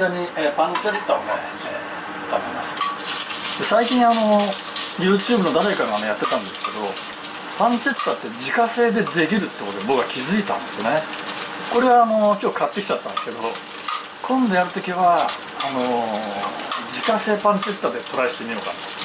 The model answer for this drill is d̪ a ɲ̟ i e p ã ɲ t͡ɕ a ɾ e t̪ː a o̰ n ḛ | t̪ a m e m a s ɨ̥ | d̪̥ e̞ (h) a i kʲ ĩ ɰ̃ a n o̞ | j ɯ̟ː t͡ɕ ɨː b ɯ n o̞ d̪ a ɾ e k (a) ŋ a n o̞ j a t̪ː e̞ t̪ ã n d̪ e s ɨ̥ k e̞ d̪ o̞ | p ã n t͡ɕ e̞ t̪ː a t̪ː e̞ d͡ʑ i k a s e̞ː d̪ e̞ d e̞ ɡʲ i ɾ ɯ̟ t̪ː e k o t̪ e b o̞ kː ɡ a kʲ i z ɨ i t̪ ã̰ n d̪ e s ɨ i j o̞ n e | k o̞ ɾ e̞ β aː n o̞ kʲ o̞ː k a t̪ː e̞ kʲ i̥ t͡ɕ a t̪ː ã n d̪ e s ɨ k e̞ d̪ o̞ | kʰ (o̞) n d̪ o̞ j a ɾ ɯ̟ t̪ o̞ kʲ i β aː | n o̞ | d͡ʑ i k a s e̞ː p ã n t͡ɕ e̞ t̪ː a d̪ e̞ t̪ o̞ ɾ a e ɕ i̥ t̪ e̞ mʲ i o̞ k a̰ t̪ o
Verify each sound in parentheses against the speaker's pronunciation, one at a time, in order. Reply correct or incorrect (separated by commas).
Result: incorrect, correct, incorrect